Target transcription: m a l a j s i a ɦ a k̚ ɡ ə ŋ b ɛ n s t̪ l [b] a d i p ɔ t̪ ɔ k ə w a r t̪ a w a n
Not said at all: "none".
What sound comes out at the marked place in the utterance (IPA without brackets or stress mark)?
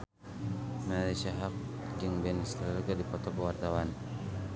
ɡ